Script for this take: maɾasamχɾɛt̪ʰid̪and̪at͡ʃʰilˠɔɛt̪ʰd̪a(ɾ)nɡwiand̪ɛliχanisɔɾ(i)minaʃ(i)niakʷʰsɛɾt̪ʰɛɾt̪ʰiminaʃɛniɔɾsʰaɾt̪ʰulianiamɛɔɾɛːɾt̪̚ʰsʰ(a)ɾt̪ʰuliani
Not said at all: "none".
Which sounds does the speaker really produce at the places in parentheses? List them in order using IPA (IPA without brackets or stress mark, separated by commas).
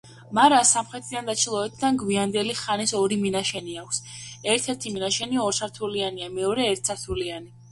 none, i, ɛ, a